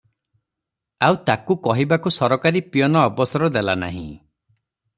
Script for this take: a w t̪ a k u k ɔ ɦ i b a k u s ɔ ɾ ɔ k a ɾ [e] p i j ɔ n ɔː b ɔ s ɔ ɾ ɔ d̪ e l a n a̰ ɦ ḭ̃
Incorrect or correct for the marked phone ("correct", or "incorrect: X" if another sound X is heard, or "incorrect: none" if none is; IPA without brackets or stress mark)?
incorrect: i